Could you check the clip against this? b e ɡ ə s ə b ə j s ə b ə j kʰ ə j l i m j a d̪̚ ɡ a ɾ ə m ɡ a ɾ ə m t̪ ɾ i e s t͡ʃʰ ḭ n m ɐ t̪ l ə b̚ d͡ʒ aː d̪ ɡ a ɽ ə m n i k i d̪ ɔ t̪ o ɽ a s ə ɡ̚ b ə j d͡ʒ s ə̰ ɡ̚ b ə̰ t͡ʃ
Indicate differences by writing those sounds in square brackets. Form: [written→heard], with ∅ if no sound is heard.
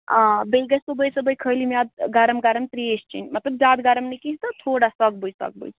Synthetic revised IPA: b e ɡ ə s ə b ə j s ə b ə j kʰ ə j l i m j a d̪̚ ɡ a ɾ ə m ɡ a ɾ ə m t̪ ɾ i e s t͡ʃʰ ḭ n m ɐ t̪ l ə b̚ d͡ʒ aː d̪ ɡ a [ɽ→ɾ] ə m n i k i [d̪→t̪] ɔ [t̪→t̪ʰ] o ɽ a s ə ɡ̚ b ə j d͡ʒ s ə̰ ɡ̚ b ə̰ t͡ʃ